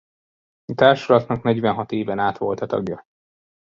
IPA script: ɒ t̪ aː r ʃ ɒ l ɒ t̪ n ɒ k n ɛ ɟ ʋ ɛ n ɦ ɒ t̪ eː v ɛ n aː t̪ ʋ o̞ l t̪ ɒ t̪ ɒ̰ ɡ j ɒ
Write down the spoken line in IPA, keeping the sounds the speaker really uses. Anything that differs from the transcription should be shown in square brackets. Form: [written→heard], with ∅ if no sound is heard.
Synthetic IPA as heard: ɒ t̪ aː r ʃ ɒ l ɒ t̪ n ɒ k n ɛ ɟ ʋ ɛ n ɦ ɒ t̪ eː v ɛ n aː t̪ ʋ o̞ l t̪ ɒ t̪ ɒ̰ ɡ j ɒ